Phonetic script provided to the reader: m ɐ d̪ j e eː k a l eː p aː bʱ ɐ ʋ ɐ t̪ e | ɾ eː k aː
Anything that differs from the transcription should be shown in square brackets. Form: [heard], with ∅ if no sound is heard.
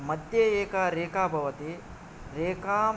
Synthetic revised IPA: m ɐ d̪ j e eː k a [ɾ] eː [k] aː bʱ ɐ ʋ ɐ t̪ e | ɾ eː k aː